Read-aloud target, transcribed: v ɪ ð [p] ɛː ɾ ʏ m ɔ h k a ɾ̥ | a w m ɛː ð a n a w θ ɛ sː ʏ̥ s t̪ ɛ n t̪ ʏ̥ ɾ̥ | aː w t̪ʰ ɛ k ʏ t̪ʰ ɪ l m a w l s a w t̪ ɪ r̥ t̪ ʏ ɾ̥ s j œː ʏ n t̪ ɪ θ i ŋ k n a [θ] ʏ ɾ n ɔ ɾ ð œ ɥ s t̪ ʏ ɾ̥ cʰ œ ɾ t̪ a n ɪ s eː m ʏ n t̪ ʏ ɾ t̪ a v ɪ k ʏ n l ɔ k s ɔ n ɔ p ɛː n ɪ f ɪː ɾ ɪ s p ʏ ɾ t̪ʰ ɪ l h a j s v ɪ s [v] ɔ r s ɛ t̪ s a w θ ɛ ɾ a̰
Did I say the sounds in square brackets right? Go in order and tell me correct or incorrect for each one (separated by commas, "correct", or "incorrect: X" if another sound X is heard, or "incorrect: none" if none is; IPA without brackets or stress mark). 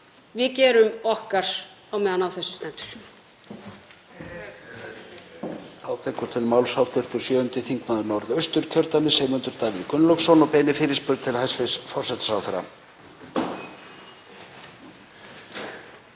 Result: incorrect: c, incorrect: ð, incorrect: f